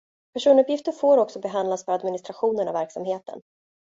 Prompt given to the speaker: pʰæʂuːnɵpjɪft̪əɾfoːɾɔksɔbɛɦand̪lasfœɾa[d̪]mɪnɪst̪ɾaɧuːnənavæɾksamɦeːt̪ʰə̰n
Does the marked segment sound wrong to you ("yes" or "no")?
no